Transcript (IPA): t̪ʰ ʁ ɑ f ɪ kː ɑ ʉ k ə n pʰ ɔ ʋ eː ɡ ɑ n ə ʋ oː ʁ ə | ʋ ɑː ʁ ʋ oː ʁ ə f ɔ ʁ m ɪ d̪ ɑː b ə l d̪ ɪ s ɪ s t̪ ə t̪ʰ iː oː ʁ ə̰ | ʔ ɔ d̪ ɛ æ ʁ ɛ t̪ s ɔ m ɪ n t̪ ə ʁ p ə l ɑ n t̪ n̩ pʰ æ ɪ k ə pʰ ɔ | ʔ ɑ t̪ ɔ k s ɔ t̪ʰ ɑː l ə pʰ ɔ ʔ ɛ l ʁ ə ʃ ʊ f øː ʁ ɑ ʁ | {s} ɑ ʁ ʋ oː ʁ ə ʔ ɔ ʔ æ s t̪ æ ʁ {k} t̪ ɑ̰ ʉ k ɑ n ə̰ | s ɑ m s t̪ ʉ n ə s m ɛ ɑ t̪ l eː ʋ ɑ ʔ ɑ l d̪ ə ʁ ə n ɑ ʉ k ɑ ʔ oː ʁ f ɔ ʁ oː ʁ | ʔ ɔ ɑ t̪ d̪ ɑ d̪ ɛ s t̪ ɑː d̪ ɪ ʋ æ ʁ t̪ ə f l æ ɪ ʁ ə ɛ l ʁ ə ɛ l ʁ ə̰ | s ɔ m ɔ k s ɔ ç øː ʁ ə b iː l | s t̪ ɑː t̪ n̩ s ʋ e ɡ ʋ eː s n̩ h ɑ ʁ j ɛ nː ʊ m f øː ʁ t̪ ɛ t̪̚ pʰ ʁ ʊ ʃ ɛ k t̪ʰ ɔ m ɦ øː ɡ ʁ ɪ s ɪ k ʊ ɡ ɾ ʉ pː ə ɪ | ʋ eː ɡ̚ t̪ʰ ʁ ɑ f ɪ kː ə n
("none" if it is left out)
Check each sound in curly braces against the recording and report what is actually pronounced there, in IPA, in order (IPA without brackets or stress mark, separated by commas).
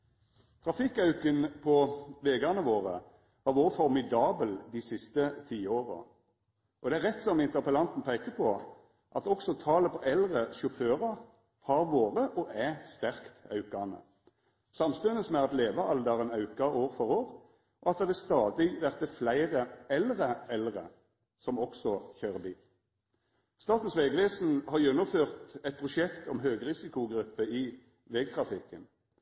h, k